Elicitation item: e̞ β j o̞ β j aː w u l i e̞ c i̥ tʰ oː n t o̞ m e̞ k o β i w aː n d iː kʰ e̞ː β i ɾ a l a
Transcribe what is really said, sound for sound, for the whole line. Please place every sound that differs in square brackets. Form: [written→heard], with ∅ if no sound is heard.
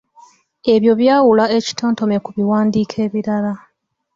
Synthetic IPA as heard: e̞ β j o̞ β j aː w u l [i→a] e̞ c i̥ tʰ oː n t o̞ m e̞ k [o→u] β i w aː n d iː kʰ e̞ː β i ɾ a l a